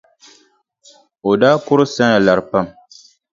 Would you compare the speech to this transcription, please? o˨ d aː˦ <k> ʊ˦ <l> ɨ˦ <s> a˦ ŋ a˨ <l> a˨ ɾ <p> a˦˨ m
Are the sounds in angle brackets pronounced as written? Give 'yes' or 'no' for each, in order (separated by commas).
yes, no, yes, yes, yes